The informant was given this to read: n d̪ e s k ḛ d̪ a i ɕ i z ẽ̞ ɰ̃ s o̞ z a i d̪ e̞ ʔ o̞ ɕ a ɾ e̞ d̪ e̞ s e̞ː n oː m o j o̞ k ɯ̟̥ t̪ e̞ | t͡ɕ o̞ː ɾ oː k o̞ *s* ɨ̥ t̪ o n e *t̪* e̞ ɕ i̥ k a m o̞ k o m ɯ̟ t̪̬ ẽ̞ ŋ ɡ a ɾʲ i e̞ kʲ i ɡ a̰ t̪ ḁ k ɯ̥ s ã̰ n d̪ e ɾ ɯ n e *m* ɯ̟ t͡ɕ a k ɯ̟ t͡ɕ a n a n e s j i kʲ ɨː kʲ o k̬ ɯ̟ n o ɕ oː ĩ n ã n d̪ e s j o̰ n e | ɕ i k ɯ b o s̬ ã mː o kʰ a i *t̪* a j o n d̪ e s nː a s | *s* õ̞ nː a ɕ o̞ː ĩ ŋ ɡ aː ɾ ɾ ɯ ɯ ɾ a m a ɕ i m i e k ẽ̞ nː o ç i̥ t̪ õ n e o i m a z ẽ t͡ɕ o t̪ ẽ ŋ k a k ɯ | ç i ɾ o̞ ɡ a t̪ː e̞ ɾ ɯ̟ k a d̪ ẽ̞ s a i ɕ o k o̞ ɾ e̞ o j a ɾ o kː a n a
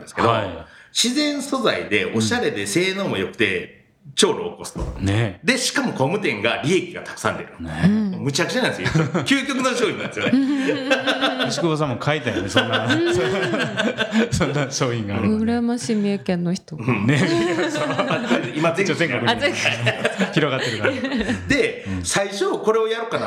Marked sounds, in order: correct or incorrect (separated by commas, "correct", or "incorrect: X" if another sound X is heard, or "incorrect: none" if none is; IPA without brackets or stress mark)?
correct, incorrect: d̪, correct, correct, correct